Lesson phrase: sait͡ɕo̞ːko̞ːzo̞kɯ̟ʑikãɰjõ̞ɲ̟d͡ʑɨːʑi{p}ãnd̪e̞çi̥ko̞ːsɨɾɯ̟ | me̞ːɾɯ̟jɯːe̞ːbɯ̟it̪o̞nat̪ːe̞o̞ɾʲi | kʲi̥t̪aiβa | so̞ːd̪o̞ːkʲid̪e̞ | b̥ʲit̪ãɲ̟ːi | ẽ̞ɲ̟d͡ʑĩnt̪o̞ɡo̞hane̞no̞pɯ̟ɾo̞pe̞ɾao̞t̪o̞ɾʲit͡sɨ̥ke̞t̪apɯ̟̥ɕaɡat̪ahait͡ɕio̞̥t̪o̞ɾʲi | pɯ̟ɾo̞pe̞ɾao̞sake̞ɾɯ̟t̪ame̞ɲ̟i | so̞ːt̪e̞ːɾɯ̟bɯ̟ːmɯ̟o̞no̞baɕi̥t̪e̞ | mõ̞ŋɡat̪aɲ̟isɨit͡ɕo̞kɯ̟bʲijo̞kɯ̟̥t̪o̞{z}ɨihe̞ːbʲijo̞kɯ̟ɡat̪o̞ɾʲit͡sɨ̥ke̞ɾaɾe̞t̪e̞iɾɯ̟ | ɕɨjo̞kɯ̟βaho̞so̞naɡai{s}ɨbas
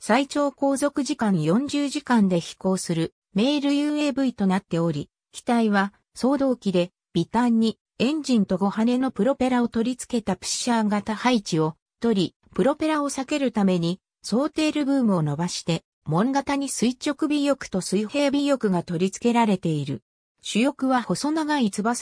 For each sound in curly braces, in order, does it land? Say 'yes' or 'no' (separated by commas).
no, no, no